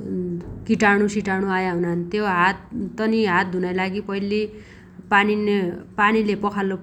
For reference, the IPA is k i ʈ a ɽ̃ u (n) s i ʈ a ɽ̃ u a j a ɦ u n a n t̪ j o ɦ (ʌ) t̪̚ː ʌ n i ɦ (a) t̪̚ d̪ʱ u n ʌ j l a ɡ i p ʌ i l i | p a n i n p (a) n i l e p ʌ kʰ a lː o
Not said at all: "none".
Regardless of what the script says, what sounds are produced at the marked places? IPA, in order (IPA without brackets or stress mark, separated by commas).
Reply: none, a, a, a